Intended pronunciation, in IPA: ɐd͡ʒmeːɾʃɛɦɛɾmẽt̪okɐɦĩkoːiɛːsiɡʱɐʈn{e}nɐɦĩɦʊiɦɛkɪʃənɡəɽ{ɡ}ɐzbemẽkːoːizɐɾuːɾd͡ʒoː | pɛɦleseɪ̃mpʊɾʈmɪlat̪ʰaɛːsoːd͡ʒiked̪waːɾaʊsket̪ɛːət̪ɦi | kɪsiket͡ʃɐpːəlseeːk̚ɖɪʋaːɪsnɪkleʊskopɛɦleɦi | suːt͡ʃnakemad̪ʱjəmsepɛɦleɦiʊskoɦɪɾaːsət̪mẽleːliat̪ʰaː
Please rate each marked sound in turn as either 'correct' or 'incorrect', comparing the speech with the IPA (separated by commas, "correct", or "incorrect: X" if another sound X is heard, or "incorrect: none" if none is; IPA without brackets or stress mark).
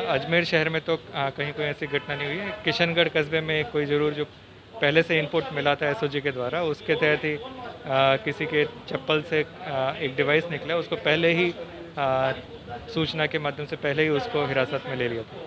incorrect: a, incorrect: k